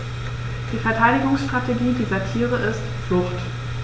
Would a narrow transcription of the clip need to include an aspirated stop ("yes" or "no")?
yes